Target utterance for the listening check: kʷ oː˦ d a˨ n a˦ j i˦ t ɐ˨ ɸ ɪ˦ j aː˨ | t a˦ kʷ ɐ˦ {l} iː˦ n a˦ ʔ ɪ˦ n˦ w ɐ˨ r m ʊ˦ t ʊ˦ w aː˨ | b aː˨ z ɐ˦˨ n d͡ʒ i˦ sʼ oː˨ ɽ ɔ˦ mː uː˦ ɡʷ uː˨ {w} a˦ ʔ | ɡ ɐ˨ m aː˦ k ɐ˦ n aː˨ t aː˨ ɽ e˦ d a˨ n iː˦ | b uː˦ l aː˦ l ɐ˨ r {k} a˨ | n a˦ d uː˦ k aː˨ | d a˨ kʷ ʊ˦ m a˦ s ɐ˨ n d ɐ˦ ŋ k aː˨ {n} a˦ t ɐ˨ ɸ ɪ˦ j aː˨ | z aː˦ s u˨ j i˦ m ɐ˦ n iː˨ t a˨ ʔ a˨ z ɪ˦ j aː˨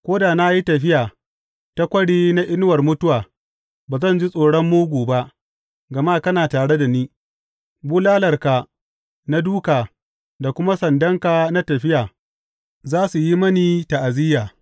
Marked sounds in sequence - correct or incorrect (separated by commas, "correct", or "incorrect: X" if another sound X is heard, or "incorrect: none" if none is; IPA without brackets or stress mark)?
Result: incorrect: ɽ, incorrect: b, correct, correct